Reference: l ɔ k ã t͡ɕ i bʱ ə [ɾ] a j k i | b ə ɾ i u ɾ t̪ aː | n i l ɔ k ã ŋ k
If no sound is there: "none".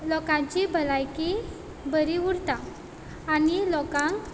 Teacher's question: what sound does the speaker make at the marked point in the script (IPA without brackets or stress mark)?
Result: l